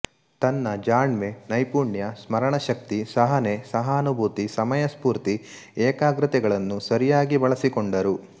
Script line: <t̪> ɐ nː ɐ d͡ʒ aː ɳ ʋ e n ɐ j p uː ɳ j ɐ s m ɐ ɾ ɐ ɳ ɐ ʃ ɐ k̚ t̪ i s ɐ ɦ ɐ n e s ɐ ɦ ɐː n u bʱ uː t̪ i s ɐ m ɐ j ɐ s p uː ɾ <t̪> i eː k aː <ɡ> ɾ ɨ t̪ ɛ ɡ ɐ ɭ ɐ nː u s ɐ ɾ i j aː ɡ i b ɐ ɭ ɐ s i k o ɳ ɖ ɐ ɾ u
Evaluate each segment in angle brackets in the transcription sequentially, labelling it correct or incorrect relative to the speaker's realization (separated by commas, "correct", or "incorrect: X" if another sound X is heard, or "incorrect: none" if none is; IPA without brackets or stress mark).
correct, correct, correct